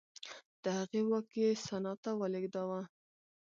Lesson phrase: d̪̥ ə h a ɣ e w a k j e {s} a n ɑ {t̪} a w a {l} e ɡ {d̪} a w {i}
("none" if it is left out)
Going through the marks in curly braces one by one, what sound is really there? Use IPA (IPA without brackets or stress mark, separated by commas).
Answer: s, t̪, l, d̪, a